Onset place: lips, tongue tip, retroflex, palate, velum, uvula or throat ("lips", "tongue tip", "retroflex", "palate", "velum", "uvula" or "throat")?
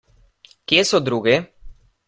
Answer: velum